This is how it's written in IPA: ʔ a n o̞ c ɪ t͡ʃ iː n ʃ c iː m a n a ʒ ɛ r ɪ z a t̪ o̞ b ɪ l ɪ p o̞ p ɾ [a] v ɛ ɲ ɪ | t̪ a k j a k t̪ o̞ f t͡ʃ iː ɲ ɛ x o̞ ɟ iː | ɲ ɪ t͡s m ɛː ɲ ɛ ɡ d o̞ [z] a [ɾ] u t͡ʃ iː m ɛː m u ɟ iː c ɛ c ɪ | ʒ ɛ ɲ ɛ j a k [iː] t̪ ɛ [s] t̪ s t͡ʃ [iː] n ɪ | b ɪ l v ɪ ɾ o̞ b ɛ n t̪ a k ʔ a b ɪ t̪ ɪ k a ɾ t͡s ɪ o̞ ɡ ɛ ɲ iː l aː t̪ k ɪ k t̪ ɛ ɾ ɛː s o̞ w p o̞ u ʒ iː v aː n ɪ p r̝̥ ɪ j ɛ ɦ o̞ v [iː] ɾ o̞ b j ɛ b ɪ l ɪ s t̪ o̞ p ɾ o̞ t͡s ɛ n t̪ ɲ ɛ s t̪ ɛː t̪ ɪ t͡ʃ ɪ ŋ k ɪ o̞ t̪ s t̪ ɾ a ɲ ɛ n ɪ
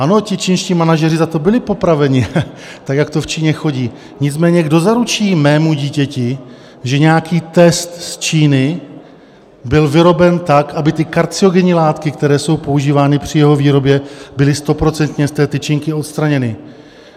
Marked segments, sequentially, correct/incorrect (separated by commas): correct, correct, correct, correct, correct, correct, correct